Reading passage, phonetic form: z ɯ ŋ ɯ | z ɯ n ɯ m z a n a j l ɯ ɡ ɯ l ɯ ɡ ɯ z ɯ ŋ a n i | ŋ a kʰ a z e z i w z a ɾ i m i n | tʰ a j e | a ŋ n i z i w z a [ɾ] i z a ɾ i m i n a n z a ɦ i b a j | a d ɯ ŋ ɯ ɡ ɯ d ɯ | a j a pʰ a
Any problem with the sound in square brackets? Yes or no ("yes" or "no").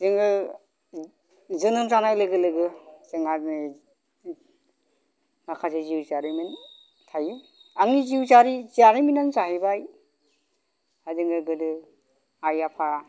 no